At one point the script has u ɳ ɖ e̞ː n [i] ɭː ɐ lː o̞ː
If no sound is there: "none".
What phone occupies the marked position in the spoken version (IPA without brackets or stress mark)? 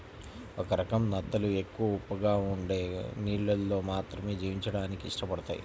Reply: iː